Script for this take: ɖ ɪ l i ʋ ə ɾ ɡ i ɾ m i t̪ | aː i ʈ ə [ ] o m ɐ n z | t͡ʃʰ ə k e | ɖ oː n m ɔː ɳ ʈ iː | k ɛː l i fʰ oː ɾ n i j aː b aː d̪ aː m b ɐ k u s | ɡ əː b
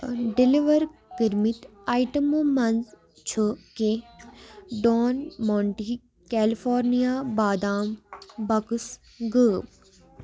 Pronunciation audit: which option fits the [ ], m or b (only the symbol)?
m